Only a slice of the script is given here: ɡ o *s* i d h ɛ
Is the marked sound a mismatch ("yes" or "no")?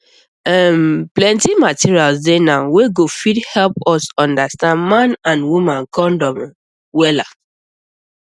yes